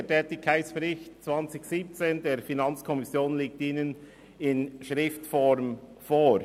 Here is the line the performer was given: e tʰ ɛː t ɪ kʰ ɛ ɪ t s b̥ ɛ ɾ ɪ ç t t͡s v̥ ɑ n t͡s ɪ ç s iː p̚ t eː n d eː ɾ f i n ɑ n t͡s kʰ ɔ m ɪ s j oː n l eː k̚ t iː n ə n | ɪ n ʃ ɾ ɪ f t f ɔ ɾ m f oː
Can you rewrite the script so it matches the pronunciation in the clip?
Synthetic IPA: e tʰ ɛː t ɪ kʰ a ɪ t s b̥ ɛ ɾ ɪ ç t t͡s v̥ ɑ n t͡s ɪ ç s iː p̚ t͡s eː n d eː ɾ f i n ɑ n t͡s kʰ ɔ m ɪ s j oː n l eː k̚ t iː n ə n | ɪ n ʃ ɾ ɪ f t f ɔ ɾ m f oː